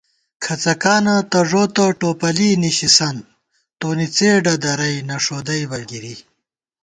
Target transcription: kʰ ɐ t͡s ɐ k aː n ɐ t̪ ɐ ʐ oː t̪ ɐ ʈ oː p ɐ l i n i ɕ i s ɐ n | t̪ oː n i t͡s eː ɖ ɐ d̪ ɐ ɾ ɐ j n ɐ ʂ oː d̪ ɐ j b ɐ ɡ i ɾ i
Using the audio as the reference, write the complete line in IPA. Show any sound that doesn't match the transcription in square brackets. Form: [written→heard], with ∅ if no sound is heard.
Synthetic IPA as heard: kʰ ɐ t͡s ɐ k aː n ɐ t̪ ɐ ʐ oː t̪ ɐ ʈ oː p ɐ l i n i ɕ i s ɐ n | t̪ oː n i t͡s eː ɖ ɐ d̪ ɐ ɾ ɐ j n ɐ ʂ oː d̪ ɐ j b ɐ ɡ i ɾ i